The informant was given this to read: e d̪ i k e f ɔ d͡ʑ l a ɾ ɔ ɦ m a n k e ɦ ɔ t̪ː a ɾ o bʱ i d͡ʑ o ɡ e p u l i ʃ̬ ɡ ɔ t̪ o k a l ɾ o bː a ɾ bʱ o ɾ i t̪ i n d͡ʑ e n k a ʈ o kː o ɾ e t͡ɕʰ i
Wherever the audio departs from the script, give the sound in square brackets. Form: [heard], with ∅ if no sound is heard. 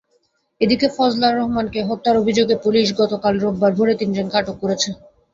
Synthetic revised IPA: e d̪ i k e f ɔ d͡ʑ l a ɾ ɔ ɦ m a n k e ɦ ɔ t̪ː a ɾ o bʱ i d͡ʑ o ɡ e p u l i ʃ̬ ɡ ɔ t̪ o k a l ɾ o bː a ɾ bʱ o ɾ [e] t̪ i n d͡ʑ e n k a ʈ o kː o ɾ e t͡ɕʰ [e]